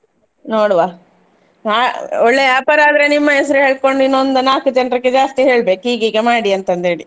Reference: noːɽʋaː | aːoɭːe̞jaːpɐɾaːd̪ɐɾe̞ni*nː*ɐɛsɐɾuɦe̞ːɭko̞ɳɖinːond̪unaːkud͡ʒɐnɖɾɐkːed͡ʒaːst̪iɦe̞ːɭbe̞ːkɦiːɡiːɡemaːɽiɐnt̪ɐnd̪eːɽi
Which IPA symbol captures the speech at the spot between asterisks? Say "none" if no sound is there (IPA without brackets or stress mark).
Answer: mː